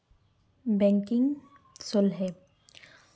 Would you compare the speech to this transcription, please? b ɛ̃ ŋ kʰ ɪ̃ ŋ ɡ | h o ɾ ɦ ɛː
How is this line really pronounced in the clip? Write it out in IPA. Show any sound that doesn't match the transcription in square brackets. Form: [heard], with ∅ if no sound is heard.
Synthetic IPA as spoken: b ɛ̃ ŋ [k] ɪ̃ ŋ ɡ | [s] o [l] ɦ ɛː

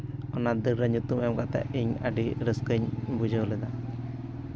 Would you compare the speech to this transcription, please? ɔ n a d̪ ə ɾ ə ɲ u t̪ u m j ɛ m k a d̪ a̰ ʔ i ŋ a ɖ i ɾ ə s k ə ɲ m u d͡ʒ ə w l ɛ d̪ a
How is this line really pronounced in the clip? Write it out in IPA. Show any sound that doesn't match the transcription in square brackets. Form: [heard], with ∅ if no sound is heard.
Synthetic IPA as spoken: ɔ n a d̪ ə ɾ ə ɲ u t̪ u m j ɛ m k a [t̪] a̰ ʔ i [ɲ] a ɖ i ɾ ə s k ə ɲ [b] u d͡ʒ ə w l ɛ d̪ a

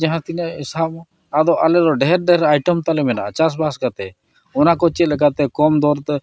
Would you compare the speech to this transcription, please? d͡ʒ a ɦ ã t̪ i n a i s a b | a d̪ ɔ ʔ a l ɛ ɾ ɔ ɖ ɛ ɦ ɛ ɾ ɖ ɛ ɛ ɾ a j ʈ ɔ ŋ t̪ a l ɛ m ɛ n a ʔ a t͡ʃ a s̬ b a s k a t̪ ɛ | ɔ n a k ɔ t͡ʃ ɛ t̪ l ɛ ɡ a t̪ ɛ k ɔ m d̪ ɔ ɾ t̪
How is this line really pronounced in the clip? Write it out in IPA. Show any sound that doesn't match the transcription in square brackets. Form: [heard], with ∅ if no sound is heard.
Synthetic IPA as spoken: d͡ʒ a ɦ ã t̪ i n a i s a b | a d̪ ɔ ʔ a l ɛ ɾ ɔ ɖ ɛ ɦ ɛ ɾ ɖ ɛ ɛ ɾ a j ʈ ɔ [m] t̪ a l ɛ m ɛ n a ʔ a t͡ʃ a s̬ b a s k a t̪ ɛ | ɔ n a k ɔ t͡ʃ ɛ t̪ l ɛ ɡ a t̪ ɛ k ɔ m d̪ ɔ ɾ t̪

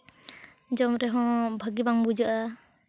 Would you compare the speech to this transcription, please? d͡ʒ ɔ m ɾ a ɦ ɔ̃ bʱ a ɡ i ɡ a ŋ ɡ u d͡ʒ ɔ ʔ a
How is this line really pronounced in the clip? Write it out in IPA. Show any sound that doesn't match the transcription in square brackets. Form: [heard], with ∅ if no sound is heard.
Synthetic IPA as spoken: d͡ʒ ɔ m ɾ [ɛ] ɦ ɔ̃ bʱ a ɡ i [b] a ŋ [b] u d͡ʒ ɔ ʔ a

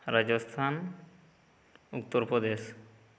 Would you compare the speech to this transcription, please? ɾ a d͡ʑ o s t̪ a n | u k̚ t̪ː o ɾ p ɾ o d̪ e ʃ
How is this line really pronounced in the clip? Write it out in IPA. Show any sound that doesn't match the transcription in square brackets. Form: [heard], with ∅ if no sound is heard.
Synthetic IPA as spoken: ɾ a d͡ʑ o s [t̪ʰ] a n | u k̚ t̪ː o ɾ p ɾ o d̪ e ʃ

